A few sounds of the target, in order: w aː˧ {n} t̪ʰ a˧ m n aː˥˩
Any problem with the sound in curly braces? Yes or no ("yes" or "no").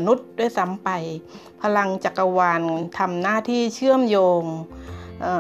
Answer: no